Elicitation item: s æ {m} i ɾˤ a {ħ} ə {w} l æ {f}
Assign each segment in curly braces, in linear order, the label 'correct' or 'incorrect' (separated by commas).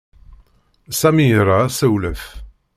correct, incorrect, correct, correct